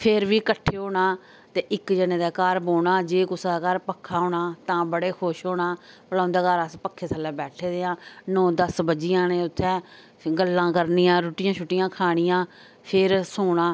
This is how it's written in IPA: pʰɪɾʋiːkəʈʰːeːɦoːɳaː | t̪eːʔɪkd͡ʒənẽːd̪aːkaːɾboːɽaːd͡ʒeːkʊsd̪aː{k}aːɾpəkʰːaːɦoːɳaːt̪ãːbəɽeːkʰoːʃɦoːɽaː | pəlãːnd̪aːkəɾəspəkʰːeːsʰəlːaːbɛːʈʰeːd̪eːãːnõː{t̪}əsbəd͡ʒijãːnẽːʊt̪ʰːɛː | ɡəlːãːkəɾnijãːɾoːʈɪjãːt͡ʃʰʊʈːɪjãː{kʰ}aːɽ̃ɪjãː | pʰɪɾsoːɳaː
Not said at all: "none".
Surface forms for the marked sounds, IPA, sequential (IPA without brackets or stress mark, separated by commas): k, d̪, kʰ